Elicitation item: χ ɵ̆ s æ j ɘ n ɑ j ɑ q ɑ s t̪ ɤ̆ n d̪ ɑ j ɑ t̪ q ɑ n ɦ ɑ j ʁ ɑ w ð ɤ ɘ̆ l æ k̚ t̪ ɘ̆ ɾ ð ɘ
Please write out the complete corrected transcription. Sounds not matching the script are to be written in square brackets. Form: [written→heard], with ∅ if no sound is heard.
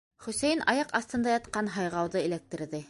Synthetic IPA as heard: χ ɵ̆ s æ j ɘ n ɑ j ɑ q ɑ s t̪ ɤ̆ n d̪ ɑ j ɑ t̪ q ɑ n ɦ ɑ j ʁ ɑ w ð ɤ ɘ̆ l æ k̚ t̪ ɘ̆ ɾ ð ɘ